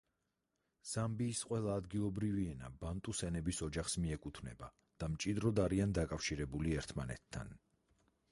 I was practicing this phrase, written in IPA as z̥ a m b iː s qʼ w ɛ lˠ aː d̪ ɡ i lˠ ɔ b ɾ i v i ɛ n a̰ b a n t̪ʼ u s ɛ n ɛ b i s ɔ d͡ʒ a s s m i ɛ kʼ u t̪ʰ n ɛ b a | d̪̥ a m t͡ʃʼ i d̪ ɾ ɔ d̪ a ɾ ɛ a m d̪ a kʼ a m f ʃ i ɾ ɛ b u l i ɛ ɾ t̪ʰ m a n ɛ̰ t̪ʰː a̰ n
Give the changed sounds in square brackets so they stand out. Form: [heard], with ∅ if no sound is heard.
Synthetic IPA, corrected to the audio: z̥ a m b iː s qʼ w ɛ lˠ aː d̪ ɡ i lˠ ɔ b ɾ i v i ɛ n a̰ b a n t̪ʼ u s ɛ n ɛ b i s ɔ d͡ʒ a [χ] s m i ɛ kʼ u t̪ʰ n ɛ b a | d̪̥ a m t͡ʃʼ i d̪ ɾ ɔ d̪ a ɾ [i] a [n] d̪ a kʼ a [∅] f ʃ i ɾ ɛ b u l i ɛ ɾ t̪ʰ m a n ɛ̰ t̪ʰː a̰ n